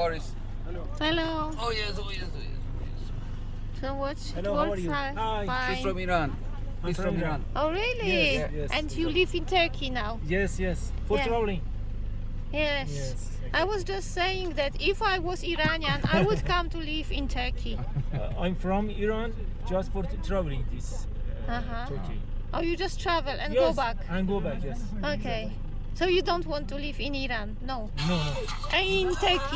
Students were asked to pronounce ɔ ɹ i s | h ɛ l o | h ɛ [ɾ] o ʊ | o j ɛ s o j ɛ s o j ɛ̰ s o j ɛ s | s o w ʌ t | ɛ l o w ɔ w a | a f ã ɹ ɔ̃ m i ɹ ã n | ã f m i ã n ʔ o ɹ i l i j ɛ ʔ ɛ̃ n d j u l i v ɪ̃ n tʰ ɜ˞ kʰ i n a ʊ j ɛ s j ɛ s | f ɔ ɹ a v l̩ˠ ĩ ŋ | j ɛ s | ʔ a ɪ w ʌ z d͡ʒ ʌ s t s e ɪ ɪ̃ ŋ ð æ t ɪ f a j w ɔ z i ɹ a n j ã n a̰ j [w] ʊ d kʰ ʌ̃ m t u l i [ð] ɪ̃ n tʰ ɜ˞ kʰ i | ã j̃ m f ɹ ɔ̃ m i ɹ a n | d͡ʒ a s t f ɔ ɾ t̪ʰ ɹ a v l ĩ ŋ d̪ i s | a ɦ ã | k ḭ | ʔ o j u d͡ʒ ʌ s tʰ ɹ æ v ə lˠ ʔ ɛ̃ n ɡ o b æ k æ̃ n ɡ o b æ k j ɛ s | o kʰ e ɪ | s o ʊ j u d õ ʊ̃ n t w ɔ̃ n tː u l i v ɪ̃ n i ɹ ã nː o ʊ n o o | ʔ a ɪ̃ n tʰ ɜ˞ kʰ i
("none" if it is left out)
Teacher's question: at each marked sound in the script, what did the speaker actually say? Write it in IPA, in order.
l, w, v

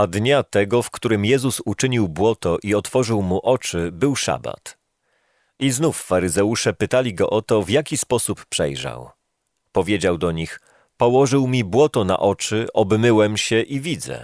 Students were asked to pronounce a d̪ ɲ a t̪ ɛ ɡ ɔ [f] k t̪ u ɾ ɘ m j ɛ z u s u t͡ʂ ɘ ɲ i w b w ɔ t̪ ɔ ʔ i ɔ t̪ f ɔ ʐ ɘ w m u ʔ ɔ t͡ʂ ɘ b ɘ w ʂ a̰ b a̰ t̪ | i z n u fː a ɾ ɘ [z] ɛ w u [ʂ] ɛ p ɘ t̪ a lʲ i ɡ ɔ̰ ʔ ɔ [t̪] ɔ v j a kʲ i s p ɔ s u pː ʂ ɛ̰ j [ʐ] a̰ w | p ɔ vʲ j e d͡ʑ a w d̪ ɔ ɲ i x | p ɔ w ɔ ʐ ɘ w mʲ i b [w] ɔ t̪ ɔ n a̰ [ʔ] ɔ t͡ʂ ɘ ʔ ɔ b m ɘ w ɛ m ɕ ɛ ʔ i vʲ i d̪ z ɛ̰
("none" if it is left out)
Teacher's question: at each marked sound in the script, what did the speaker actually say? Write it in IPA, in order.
f, z, ʂ, t̪, ʐ, w, ʔ

